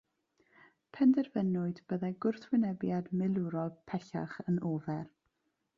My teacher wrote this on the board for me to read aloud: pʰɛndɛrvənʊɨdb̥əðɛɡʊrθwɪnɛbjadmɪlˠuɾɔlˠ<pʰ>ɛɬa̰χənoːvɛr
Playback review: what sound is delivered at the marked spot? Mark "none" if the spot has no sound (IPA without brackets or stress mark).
pʰ